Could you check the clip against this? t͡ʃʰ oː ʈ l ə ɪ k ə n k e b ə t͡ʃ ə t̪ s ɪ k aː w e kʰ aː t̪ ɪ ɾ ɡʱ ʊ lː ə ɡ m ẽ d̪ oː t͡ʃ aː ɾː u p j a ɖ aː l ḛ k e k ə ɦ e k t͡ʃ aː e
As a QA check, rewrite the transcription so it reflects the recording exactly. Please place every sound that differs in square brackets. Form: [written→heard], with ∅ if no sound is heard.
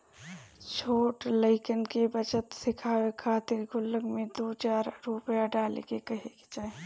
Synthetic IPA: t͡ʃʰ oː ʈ l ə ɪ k ə n k e b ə t͡ʃ ə t̪ s ɪ [k→kʰ] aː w e kʰ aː t̪ ɪ ɾ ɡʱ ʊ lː ə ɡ m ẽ d̪ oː t͡ʃ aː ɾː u p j a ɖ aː l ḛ k e k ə ɦ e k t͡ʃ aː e